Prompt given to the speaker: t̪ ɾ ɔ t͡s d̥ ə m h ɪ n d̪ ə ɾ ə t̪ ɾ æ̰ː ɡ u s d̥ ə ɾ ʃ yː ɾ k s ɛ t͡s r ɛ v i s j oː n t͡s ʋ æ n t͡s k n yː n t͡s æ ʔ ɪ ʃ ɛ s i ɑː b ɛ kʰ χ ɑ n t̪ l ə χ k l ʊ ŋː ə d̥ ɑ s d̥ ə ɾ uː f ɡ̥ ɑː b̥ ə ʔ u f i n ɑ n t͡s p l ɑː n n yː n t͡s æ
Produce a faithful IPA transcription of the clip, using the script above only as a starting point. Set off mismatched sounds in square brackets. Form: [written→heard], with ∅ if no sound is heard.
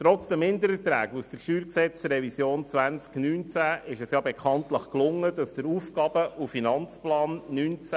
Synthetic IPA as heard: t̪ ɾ ɔ t͡s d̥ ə m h ɪ n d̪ ə ɾ ə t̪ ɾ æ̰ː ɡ u s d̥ ə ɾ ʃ yː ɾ k s ɛ t͡s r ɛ v i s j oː n t͡s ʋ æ n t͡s k n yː n t͡s æ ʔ ɪ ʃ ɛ s [i→j] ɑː b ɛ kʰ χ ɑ n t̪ l ə χ k l ʊ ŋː ə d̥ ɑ s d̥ ə ɾ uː f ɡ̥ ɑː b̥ ə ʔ u f i n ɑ n t͡s p l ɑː n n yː n t͡s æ